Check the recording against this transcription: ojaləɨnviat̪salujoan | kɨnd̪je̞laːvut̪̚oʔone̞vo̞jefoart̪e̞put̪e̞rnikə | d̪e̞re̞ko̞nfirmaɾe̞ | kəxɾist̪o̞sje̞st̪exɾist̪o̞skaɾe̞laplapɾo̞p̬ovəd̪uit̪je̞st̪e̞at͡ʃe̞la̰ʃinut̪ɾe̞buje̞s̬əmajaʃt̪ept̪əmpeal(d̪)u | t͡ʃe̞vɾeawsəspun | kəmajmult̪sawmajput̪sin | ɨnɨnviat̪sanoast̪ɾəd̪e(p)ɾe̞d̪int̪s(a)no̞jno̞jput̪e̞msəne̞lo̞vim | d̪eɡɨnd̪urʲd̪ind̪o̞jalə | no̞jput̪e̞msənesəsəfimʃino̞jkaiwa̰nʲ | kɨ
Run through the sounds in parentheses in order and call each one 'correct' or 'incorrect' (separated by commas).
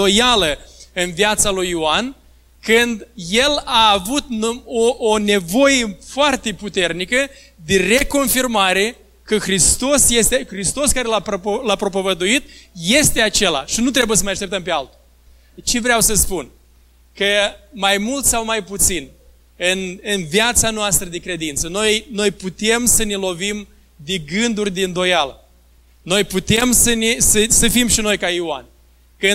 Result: incorrect, incorrect, incorrect